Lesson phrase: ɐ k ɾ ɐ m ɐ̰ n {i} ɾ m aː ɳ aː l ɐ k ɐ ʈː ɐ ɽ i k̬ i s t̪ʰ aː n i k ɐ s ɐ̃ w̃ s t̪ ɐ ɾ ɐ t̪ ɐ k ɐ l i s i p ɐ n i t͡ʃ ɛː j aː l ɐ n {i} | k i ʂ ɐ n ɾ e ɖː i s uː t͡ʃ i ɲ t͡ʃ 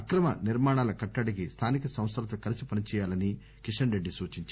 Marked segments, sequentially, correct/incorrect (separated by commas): correct, correct